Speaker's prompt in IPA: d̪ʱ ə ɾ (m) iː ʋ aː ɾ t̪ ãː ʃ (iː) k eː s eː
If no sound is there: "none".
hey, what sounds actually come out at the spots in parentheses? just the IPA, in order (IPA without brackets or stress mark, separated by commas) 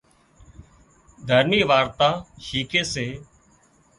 n, iː